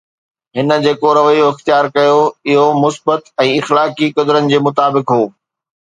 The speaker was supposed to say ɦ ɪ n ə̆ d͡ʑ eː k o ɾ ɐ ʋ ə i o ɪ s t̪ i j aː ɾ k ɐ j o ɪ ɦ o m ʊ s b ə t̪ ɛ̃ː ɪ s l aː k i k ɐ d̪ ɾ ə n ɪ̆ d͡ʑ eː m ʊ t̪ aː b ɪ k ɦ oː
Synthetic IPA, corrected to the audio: ɦ ɪ n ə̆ d͡ʑ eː k o ɾ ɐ ʋ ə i o ɪ x t̪ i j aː ɾ k ɐ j o ɪ ɦ o m ʊ s b ə t̪ ɛ̃ː ɪ x l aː k i k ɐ d̪ ɾ ə n ɪ̆ d͡ʑ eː m ʊ t̪ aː b ɪ k ɦ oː